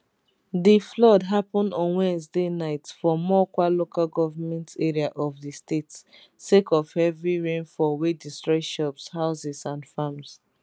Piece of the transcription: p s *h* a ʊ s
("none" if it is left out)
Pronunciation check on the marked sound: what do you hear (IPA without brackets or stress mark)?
h